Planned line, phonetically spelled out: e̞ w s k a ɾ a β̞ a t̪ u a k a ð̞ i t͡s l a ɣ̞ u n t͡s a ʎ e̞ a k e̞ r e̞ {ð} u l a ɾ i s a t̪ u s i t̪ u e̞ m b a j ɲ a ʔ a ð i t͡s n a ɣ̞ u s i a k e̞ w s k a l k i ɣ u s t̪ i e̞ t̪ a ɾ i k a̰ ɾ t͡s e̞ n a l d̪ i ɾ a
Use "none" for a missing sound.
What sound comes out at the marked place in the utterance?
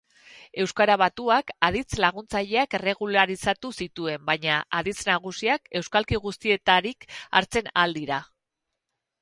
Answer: ɣ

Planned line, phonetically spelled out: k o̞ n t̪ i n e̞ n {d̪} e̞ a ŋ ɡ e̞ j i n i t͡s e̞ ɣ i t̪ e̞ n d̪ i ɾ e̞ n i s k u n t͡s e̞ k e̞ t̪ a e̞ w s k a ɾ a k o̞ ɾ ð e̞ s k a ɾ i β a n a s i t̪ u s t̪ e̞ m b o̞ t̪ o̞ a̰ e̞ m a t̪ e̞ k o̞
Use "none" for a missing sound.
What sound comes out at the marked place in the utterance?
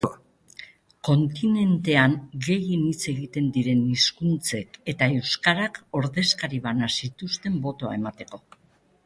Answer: t̪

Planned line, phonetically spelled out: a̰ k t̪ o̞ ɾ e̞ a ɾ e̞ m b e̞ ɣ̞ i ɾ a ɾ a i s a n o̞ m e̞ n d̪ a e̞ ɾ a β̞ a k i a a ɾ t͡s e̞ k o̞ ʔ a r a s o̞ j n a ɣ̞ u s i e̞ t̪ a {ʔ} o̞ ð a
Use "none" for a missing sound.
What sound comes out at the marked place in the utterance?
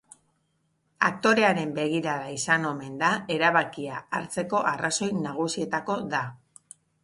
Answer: k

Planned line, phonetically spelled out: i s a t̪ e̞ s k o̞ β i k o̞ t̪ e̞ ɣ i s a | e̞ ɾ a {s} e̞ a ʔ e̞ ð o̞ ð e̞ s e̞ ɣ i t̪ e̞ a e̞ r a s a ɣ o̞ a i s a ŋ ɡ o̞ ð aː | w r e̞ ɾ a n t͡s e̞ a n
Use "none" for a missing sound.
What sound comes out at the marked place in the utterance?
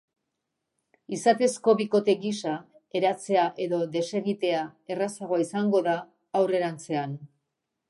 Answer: t͡s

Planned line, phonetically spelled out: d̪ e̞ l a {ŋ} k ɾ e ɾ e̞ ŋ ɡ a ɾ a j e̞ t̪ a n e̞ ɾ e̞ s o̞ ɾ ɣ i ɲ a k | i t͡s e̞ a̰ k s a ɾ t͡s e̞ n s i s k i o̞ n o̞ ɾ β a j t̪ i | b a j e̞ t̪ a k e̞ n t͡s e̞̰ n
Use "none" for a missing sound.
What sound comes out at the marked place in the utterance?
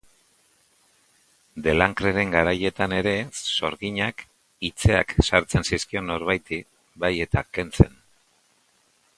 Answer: ŋ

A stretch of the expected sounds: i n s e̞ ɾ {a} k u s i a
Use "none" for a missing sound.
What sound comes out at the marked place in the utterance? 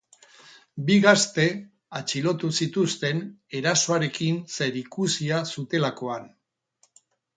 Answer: i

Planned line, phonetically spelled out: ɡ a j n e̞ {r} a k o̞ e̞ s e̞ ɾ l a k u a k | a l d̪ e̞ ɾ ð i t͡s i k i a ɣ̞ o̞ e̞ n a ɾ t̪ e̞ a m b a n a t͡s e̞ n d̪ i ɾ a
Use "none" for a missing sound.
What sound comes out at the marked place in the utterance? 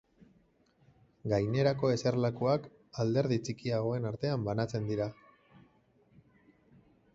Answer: ɾ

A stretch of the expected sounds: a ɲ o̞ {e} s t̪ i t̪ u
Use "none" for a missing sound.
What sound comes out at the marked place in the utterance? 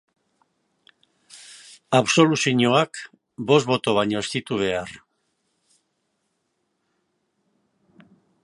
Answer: e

